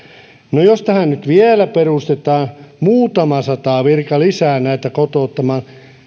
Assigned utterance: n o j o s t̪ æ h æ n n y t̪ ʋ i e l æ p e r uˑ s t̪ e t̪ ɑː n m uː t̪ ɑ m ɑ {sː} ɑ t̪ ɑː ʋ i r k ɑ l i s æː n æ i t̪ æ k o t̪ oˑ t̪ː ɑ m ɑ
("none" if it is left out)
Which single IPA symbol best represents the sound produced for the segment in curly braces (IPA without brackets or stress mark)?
s